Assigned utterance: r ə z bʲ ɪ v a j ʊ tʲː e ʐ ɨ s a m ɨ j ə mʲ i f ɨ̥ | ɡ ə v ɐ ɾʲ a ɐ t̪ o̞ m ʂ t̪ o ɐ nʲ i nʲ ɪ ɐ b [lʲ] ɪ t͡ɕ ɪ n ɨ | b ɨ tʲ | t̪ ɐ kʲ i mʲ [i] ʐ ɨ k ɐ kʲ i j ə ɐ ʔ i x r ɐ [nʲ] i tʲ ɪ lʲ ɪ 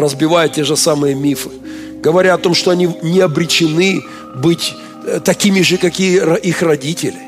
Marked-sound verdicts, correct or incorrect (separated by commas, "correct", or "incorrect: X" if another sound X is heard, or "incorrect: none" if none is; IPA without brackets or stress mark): incorrect: ɾʲ, incorrect: ɪ, incorrect: dʲ